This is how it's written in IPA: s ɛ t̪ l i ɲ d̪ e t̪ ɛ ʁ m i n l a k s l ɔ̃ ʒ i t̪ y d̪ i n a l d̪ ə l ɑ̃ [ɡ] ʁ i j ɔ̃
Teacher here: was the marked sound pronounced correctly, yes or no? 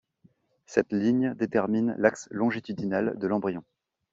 no